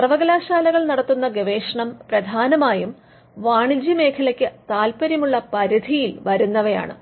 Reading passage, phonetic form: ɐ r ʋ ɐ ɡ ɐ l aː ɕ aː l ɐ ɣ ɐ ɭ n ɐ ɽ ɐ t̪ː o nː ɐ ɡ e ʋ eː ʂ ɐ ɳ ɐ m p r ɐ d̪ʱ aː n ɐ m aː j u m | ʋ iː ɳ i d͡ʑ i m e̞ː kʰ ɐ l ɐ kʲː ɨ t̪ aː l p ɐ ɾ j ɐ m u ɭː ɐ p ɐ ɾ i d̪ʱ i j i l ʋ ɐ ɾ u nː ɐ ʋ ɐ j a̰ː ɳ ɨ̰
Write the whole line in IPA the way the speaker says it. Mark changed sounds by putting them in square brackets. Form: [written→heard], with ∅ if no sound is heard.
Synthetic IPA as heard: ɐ r ʋ ɐ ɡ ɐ l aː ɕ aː l ɐ ɣ ɐ ɭ n ɐ ɽ ɐ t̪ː [o→u] nː ɐ ɡ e ʋ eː ʂ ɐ ɳ ɐ m p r ɐ d̪ʱ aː n ɐ m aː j u m | ʋ [iː→aː] ɳ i d͡ʑ i m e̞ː kʰ ɐ l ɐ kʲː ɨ t̪ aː l p ɐ ɾ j ɐ m u ɭː ɐ p ɐ ɾ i d̪ʱ i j i l ʋ ɐ ɾ u nː ɐ ʋ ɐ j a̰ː ɳ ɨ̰